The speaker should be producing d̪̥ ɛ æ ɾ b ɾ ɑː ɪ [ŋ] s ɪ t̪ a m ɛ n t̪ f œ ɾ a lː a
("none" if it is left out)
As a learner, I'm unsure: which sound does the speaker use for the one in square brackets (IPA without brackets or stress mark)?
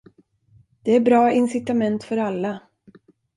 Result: n